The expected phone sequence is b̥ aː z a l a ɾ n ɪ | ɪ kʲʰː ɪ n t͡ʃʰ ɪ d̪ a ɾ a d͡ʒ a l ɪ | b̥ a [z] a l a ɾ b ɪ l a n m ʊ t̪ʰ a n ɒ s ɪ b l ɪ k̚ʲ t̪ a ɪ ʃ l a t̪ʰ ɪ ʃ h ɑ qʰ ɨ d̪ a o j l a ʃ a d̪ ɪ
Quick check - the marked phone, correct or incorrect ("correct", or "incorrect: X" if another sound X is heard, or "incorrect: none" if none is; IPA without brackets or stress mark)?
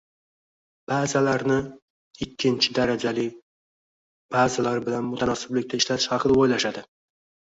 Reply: correct